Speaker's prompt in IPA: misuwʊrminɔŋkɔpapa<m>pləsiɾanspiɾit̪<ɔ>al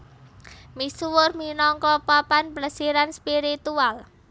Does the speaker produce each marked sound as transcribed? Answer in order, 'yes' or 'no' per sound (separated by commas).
no, no